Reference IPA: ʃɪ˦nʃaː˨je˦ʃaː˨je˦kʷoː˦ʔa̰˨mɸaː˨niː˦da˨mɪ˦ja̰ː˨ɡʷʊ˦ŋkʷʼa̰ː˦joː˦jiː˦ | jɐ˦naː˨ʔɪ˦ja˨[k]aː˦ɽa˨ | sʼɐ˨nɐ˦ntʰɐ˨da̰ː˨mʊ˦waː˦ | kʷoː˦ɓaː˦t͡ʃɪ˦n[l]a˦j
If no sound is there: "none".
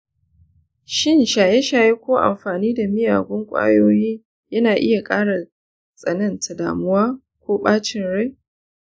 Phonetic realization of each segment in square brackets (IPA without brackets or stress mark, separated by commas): kʼ, ɽ